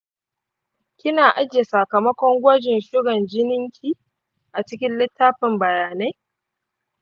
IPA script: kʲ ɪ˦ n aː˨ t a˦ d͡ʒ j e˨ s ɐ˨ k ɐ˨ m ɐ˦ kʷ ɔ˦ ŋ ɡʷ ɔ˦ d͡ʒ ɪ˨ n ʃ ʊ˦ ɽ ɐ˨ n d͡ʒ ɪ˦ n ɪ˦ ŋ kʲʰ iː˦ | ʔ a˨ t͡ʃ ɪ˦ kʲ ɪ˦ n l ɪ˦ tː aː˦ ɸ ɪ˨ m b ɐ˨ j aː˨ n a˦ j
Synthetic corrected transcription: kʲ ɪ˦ n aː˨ ʔ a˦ d͡ʒ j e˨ s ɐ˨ k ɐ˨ m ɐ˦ kʷ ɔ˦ ŋ ɡʷ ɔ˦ d͡ʒ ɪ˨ n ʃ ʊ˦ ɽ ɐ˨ n d͡ʒ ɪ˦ n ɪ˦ ŋ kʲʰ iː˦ | ʔ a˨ t͡ʃ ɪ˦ kʲ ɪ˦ n l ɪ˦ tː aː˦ ɸ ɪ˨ m b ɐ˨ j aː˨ n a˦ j